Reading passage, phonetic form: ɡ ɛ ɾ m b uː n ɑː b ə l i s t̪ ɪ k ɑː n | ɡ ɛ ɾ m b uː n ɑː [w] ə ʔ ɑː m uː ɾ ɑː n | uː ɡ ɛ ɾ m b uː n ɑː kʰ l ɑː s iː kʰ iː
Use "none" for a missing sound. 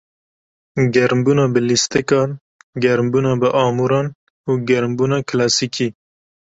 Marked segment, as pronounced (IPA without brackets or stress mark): b